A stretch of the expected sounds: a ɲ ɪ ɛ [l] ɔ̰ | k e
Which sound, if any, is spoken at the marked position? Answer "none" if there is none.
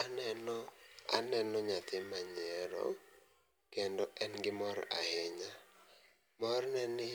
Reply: ɾ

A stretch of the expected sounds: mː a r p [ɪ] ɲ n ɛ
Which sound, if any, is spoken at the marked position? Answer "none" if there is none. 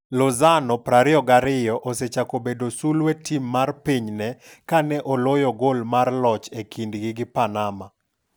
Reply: i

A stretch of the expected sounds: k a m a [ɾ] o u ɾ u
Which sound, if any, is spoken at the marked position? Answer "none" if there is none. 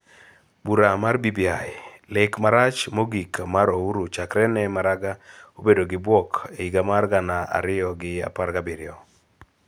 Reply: ɾ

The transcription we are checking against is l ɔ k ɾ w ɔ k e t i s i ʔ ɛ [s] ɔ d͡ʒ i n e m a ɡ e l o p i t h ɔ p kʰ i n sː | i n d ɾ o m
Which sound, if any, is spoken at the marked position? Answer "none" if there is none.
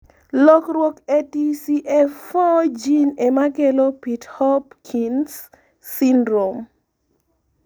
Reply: f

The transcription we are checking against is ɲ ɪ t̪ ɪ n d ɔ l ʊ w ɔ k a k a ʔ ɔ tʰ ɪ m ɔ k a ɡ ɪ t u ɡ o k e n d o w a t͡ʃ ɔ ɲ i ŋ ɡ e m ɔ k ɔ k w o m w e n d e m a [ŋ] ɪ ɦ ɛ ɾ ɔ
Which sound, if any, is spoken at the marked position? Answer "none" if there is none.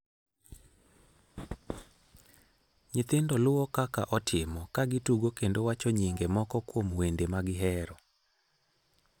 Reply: ɡ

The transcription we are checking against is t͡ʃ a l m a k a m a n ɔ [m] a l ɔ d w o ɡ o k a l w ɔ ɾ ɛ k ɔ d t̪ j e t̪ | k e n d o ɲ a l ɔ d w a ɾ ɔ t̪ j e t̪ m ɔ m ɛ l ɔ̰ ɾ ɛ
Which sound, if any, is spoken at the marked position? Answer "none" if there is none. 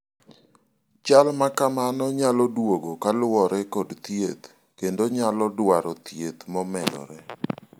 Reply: ɲ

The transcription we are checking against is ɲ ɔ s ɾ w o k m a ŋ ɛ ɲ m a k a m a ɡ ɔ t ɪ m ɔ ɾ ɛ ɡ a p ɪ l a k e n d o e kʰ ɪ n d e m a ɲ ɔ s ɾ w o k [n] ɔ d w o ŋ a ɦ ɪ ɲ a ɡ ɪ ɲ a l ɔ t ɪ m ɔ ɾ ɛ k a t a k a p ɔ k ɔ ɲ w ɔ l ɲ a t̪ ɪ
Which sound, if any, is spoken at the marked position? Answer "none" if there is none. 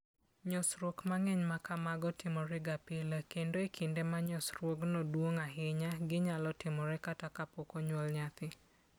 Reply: n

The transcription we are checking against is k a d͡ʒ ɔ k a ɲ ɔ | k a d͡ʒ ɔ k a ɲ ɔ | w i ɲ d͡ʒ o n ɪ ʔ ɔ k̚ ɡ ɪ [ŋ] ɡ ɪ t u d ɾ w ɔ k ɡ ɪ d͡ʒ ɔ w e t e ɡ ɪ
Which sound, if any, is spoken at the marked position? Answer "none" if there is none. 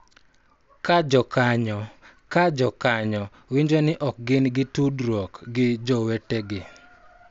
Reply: n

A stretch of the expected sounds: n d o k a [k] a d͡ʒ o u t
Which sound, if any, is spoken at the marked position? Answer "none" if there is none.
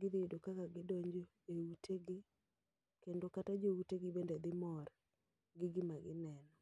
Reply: t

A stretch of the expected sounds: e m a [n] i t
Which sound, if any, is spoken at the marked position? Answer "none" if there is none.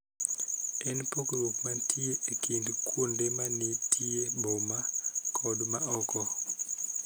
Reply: n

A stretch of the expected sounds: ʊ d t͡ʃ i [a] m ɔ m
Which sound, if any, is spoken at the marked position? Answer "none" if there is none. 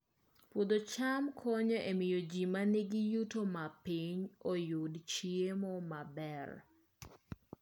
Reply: e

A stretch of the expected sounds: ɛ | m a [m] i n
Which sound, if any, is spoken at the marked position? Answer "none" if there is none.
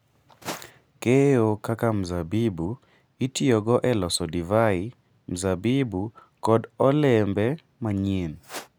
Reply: ɲ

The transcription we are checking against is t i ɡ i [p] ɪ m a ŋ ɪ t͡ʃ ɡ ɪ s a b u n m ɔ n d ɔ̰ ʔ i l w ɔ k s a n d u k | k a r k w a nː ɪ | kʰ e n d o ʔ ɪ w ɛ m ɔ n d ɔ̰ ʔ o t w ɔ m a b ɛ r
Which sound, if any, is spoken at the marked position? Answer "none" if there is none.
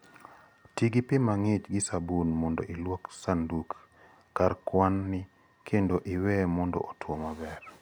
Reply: p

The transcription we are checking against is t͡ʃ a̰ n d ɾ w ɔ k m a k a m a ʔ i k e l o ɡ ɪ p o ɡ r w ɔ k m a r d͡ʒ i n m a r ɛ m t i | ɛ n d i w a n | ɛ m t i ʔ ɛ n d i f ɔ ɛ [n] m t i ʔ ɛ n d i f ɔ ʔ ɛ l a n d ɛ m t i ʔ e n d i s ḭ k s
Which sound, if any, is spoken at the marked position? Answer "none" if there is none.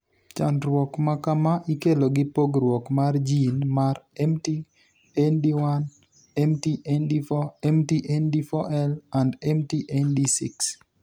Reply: none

